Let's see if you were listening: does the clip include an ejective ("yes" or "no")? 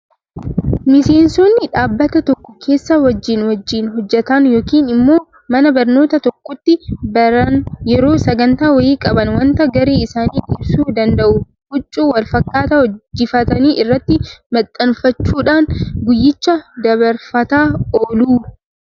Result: yes